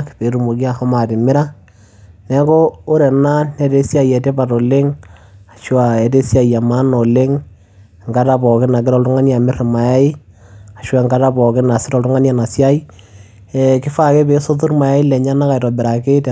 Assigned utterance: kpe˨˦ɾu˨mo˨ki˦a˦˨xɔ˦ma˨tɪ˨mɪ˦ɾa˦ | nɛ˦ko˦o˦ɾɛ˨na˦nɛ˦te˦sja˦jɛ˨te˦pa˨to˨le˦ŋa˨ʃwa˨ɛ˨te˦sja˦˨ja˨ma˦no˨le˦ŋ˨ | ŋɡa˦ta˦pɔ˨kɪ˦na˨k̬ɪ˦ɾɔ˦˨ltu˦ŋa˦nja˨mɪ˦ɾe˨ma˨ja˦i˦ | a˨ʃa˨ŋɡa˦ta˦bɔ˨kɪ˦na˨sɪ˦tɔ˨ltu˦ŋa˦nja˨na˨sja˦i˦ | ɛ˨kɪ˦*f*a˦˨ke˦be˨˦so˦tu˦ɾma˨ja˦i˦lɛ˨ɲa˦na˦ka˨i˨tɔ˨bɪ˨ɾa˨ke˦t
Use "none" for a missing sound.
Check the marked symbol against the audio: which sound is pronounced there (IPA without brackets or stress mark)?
f